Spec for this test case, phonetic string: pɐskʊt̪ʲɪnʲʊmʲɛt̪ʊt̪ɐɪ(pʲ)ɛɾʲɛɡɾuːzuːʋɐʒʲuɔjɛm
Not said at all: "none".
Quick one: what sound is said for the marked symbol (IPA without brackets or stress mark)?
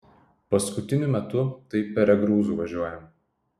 pʲ